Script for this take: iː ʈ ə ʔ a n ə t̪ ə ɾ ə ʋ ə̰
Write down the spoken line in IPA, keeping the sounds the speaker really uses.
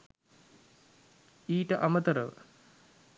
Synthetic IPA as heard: iː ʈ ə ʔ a m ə t̪ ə ɾ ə ʋ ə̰